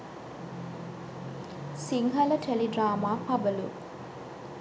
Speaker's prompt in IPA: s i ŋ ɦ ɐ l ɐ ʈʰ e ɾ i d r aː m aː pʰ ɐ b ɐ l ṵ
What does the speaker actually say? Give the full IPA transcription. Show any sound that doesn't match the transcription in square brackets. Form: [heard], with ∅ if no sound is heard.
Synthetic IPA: s i ŋ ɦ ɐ l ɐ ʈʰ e [l] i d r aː m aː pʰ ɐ b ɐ l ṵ

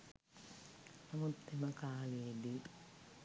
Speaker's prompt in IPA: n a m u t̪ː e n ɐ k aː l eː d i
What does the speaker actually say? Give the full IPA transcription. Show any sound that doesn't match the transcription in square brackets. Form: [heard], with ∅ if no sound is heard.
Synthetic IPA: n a m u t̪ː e [m] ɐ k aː l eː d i

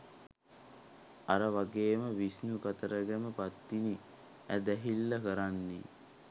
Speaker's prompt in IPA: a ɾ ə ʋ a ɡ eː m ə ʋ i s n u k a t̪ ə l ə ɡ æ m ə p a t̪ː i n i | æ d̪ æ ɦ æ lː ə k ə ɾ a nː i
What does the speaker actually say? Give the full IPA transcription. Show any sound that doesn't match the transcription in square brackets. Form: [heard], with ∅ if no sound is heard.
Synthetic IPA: a ɾ ə ʋ a ɡ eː m ə ʋ i s n u k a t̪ ə [ɾ] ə ɡ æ m ə p a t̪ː i n i | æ d̪ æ ɦ [i] lː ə k ə ɾ a nː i

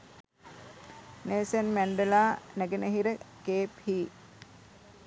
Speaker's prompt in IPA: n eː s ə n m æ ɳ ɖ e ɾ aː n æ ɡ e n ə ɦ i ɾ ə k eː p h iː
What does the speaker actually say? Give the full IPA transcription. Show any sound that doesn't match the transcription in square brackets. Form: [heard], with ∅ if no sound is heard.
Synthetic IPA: n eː s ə n m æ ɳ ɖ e [l] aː n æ ɡ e n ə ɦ i ɾ ə k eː p h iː

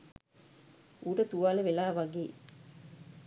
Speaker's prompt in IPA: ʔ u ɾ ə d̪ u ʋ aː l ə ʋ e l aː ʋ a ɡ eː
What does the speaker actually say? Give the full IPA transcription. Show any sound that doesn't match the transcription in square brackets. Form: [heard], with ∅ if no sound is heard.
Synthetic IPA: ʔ u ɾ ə [t̪] u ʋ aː l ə ʋ e l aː ʋ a ɡ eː

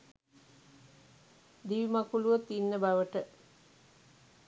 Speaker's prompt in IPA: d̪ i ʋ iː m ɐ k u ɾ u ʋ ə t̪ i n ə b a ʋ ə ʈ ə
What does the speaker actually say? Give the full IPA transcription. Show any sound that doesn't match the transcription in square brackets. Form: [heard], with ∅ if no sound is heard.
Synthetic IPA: d̪ i ʋ [i] m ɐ k u [l] u ʋ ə t̪ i [nː] ə b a ʋ ə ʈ ə

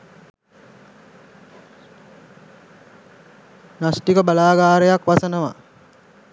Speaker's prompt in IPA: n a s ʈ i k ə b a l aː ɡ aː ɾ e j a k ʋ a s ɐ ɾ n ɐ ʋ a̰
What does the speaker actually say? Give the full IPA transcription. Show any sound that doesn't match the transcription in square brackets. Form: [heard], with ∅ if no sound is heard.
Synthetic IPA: n a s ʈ i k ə b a l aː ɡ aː ɾ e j a k ʋ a s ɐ [∅] n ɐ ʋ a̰

